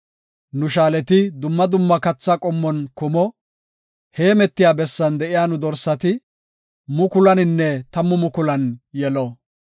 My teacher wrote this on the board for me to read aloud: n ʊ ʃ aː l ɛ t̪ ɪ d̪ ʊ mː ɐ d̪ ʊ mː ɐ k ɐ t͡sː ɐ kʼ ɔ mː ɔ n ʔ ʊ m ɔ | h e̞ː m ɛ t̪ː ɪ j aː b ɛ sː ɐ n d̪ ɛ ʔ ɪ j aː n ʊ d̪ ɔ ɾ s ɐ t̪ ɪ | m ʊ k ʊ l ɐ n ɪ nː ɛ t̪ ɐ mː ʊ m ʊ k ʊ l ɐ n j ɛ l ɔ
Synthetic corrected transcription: n ʊ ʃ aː l ɛ t̪ ɪ d̪ ʊ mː ɐ d̪ ʊ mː ɐ k ɐ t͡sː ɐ kʼ ɔ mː ɔ n k ʊ m ɔ | h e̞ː m ɛ t̪ː ɪ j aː b ɛ sː ɐ n d̪ ɛ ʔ ɪ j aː n ʊ d̪ ɔ ɾ s ɐ t̪ ɪ | m ʊ k ʊ l ɐ n ɪ nː ɛ t̪ ɐ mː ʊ m ʊ k ʊ l ɐ n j ɛ l ɔ